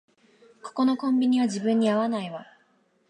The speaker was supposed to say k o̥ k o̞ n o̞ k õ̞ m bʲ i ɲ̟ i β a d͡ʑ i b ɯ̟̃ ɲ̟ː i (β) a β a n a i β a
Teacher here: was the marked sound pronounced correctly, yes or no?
no